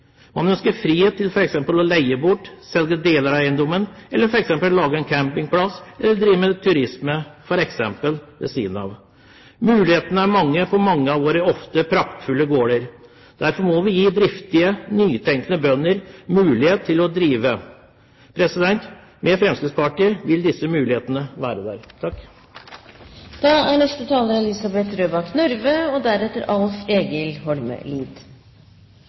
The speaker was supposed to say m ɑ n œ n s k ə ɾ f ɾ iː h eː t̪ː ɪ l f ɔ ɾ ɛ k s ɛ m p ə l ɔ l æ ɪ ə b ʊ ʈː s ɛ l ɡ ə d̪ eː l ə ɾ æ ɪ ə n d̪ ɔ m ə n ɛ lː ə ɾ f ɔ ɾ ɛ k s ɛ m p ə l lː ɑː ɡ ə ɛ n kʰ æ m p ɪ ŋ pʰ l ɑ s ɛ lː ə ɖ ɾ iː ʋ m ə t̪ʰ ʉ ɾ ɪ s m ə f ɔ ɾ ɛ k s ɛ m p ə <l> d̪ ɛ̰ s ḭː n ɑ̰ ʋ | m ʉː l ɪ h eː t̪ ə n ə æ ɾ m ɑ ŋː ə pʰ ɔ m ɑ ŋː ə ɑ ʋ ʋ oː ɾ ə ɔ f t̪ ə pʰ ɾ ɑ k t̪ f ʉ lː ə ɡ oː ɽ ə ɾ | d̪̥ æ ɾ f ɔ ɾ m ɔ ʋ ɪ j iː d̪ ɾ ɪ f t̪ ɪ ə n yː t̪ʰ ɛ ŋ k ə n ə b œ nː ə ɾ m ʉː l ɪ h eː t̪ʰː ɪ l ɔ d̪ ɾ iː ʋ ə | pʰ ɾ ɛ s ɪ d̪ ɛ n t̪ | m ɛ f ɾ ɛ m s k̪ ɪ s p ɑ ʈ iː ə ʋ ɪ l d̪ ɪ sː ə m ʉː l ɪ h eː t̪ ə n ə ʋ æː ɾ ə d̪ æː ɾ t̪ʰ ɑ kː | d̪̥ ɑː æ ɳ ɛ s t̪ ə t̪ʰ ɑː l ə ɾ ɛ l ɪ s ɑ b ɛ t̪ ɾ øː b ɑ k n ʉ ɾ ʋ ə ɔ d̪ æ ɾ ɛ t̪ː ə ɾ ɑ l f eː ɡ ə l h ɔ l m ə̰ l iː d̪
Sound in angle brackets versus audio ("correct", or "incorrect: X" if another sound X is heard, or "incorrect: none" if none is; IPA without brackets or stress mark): correct